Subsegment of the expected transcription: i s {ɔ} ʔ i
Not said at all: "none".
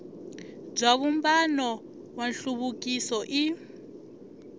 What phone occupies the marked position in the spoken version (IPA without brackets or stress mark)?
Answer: ɔ